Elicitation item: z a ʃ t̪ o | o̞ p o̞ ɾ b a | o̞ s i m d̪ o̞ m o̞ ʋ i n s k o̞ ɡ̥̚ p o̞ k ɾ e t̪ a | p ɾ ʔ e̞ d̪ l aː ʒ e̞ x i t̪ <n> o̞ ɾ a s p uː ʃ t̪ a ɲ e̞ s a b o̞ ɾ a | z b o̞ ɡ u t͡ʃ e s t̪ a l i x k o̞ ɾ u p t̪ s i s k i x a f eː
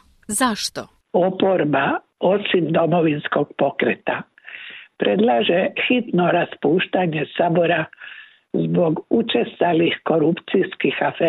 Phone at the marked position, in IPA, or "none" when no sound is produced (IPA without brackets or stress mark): n